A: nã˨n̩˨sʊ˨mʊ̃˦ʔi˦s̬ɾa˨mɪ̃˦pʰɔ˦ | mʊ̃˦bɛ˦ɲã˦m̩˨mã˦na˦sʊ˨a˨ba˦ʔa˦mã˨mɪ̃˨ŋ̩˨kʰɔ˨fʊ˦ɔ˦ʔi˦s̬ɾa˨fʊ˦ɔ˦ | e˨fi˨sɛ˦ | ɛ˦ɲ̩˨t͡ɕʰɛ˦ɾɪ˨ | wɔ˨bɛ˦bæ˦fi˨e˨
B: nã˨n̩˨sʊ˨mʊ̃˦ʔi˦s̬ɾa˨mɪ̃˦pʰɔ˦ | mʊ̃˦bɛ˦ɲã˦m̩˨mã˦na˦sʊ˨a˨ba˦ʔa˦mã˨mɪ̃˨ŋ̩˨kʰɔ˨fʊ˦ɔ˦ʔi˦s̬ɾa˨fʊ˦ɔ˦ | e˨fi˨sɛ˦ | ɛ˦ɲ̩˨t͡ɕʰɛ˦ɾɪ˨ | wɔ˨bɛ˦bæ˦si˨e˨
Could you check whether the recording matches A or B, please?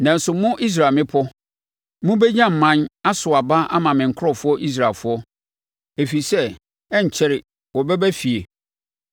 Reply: A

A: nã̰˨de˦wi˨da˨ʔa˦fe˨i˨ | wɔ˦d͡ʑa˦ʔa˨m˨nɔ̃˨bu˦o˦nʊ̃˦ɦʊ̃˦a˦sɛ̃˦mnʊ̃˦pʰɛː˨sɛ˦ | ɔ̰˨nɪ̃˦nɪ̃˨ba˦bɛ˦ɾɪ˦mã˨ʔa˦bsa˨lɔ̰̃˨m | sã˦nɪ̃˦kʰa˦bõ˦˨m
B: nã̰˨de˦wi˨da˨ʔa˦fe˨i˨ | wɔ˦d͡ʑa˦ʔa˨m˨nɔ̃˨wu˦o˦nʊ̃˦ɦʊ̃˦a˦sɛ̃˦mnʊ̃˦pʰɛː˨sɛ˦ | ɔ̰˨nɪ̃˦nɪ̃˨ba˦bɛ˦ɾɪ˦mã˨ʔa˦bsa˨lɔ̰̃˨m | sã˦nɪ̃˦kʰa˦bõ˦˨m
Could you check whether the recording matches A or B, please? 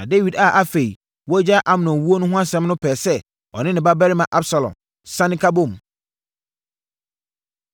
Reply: B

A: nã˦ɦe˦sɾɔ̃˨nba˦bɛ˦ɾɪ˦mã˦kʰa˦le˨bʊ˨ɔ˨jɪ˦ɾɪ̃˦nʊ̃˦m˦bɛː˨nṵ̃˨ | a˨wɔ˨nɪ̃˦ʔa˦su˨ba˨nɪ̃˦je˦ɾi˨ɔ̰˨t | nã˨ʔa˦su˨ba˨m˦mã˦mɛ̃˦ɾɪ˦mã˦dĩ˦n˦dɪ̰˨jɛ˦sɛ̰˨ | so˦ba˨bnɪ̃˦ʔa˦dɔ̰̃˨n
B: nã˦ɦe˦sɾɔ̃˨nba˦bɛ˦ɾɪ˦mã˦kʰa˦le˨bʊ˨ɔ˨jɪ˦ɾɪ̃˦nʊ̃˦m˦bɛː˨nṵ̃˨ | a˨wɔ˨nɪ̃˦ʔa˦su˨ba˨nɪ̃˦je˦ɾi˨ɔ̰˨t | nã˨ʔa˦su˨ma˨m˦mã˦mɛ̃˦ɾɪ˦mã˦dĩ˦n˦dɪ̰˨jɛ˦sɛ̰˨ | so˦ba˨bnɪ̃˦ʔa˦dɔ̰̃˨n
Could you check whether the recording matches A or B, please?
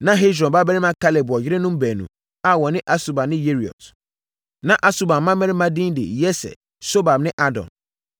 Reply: A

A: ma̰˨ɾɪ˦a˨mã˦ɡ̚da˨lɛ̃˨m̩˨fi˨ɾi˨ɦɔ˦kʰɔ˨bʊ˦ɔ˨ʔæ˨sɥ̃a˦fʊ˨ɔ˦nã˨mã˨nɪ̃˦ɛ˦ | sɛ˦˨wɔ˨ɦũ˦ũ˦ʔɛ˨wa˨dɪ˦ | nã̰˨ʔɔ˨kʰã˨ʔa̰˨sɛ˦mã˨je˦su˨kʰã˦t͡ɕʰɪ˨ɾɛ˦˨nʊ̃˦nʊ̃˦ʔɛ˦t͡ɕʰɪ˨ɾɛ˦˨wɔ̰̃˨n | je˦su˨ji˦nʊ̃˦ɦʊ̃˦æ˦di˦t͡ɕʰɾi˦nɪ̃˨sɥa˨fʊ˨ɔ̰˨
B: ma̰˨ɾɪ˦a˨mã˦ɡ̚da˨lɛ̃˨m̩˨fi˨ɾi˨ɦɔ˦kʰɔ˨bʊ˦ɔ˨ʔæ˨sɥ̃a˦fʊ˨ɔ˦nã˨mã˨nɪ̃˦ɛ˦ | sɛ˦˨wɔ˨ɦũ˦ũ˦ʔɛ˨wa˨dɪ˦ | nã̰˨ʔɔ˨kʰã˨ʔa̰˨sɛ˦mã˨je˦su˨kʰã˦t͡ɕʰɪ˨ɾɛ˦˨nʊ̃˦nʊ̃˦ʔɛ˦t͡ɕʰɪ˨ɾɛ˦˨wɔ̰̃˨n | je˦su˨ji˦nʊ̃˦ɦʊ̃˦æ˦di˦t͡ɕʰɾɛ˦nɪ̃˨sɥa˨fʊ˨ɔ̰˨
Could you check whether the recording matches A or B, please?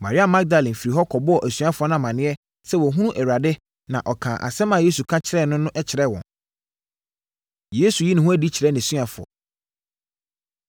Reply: B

